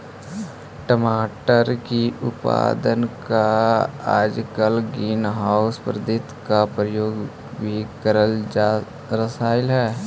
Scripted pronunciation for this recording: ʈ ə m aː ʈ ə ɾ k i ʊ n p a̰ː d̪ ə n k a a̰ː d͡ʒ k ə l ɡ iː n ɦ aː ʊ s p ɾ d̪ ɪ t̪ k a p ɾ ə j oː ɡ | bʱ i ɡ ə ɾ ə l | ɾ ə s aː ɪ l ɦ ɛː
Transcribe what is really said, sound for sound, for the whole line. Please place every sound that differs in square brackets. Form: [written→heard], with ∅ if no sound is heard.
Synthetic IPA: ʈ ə m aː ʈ ə ɾ k i ʊ [n→∅] p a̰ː d̪ ə n k a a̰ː d͡ʒ k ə l ɡ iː n ɦ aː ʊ s p ɾ d̪ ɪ t̪ k a p ɾ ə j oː ɡ | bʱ i [ɡ→k] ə ɾ ə l | ɾ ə s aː ɪ l ɦ ɛː